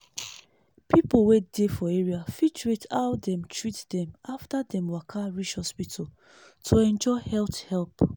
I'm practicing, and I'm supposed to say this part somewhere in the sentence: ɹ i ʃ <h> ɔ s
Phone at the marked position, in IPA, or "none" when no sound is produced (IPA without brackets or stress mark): h